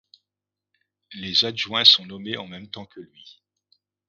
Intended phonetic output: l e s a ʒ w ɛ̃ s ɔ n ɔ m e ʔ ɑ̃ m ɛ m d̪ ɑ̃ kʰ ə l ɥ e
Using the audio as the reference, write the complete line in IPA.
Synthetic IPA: l e z a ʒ w ɛ̃ s ɔ̃ n ɔ m e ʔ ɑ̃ m ɛ m t̪ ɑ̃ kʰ ə l ɥ i